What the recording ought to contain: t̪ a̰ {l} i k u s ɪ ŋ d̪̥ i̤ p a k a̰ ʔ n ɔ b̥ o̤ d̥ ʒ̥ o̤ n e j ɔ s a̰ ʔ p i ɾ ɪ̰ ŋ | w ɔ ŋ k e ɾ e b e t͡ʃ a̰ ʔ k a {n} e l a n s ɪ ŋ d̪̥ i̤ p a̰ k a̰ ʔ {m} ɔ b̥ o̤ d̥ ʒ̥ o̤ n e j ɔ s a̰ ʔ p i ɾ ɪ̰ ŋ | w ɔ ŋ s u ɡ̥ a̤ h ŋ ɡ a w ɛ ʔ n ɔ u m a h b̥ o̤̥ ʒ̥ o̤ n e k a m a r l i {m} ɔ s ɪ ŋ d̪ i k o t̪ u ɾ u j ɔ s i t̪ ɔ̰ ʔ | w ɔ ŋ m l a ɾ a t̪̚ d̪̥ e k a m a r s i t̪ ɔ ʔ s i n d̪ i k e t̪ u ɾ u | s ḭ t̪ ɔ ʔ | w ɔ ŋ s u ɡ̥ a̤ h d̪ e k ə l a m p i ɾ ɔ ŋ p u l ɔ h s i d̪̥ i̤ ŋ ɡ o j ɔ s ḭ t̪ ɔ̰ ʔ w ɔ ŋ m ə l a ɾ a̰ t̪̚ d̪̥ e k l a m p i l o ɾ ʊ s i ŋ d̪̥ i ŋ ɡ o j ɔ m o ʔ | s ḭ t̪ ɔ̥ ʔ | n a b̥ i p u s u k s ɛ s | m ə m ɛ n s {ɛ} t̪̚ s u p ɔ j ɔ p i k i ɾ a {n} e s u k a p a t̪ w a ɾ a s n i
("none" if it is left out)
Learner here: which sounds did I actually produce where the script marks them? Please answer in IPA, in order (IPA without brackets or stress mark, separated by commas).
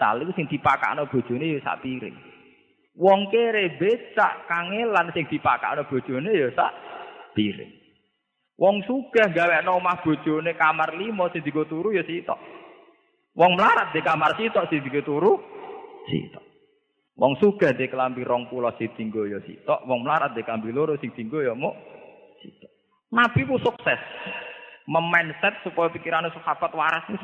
l, ŋ, n, m, ɛ, n